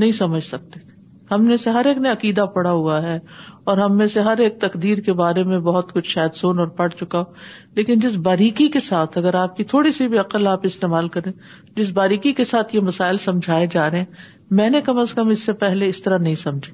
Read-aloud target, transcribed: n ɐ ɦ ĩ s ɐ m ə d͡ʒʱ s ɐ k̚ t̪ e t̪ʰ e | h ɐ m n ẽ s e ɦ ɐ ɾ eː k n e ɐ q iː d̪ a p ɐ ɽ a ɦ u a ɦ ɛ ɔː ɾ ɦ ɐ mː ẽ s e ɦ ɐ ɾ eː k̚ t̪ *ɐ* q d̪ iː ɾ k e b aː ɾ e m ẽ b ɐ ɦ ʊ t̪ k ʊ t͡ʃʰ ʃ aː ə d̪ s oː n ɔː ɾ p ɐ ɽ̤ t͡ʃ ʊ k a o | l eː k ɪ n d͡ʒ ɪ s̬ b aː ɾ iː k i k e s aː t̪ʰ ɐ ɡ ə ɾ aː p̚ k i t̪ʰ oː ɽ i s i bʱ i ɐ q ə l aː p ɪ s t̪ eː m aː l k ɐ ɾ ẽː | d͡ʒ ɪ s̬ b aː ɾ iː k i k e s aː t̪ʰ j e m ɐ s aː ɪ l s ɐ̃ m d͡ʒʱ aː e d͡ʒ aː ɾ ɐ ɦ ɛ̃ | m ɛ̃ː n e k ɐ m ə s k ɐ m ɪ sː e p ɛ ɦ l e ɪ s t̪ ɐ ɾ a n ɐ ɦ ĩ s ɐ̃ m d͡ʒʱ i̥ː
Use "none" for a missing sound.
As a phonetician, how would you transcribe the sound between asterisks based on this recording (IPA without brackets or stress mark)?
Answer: ɐ